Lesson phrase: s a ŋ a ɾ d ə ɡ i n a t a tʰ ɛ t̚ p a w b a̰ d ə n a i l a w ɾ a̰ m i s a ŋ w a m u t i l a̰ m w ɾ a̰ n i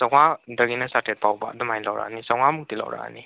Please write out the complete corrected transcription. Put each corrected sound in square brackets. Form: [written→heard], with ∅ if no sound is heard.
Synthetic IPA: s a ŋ a [ɾ→∅] d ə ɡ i n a [t→s] a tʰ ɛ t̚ p a w b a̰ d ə [n→m] a [i→j] l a w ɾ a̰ [m→n] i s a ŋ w a m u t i l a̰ [m→∅] w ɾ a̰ n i